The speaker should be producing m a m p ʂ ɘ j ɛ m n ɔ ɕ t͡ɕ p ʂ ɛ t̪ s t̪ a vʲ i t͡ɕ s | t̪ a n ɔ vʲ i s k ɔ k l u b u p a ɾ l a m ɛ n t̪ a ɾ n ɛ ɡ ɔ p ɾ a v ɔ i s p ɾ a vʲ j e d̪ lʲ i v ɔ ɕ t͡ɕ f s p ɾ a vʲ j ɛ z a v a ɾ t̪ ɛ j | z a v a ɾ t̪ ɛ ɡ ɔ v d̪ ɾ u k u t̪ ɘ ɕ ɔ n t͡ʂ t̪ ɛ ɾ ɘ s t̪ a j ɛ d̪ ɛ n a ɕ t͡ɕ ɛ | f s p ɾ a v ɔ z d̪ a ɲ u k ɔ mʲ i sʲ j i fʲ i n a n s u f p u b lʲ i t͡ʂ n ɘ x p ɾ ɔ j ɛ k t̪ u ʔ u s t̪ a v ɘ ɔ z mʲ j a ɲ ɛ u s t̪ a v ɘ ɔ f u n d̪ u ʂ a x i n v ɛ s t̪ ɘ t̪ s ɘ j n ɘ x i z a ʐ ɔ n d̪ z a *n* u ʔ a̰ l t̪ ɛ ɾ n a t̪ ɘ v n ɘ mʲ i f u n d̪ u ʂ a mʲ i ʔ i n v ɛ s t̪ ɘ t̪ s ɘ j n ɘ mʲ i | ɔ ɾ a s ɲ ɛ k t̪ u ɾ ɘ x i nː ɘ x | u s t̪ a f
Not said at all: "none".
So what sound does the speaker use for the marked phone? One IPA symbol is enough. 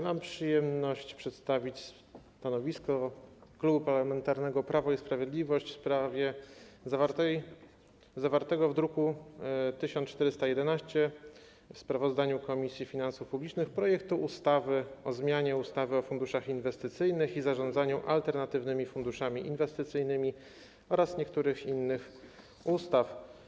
ɲ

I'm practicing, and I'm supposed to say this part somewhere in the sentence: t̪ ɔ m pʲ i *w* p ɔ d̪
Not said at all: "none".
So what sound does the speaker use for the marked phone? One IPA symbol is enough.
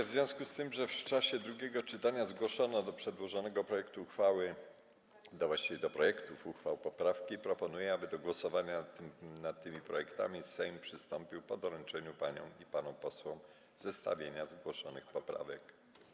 w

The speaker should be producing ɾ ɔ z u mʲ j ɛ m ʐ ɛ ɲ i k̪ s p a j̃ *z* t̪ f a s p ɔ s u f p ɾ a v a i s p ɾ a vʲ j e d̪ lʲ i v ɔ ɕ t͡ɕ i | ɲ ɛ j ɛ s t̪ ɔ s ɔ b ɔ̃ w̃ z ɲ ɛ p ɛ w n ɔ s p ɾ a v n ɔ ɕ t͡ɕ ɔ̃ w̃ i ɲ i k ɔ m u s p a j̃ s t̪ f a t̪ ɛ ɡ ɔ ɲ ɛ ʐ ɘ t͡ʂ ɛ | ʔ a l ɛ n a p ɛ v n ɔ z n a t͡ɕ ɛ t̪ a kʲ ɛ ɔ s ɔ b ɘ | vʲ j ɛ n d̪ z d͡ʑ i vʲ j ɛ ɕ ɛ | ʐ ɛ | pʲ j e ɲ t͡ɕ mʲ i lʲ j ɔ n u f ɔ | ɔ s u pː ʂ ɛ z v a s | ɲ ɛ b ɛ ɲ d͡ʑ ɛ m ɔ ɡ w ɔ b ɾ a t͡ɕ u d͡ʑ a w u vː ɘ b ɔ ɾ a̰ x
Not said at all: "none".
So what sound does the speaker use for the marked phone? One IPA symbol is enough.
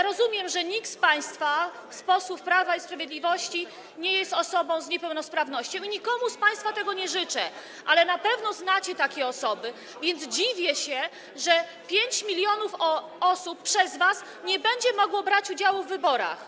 s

